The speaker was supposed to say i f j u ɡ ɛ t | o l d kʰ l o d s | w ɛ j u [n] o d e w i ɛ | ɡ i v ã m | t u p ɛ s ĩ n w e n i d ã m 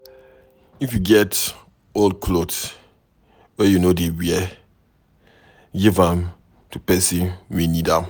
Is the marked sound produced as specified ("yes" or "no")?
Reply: yes